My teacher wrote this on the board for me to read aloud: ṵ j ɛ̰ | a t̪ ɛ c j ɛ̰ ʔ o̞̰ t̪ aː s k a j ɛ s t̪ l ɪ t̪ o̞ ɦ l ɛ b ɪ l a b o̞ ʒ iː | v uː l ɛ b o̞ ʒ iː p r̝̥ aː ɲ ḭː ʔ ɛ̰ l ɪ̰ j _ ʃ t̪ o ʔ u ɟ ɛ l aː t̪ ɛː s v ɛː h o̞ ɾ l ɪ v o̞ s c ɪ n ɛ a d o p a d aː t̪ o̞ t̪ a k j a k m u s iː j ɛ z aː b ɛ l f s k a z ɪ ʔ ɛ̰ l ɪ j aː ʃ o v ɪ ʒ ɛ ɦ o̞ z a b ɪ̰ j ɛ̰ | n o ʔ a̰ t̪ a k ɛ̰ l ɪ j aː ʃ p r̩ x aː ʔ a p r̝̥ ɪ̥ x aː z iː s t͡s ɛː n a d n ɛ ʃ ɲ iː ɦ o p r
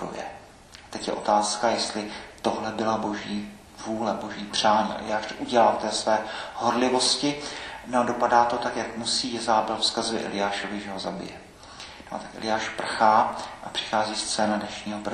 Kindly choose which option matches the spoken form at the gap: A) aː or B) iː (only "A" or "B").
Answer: A